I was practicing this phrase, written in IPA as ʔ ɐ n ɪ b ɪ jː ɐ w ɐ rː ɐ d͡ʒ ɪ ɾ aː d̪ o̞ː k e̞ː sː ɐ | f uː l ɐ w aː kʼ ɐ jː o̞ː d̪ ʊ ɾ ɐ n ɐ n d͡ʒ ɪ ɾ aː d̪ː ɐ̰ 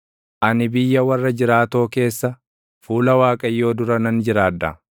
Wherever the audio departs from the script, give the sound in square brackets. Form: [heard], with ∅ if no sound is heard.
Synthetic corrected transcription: ʔ ɐ n ɪ b ɪ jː ɐ w ɐ rː ɐ d͡ʒ ɪ ɾ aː [t̪] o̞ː k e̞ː sː ɐ | f uː l ɐ w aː kʼ ɐ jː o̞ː d̪ ʊ ɾ ɐ n ɐ n d͡ʒ ɪ ɾ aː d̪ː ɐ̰